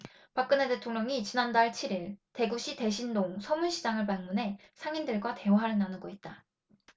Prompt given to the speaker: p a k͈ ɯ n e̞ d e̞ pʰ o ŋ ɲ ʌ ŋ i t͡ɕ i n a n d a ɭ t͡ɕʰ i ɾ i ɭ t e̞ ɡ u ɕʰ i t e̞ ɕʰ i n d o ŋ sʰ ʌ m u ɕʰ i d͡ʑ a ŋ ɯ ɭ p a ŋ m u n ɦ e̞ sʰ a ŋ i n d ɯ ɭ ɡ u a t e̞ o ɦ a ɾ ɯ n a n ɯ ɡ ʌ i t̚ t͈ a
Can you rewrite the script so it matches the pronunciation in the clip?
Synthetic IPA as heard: p a k͈ ɯ n e̞ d e̞ tʰ o ŋ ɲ ʌ ŋ i t͡ɕ i n a n d a ɭ t͡ɕʰ i ɾ i ɭ t e̞ ɡ u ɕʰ i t e̞ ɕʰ i n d o ŋ sʰ ʌ m u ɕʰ i d͡ʑ a ŋ ɯ ɭ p a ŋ m u n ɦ e̞ sʰ a ŋ i n d ɯ ɭ ɡ w a t e̞ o ɦ a ɾ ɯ n a n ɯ ɡ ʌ i t̚ t͈ a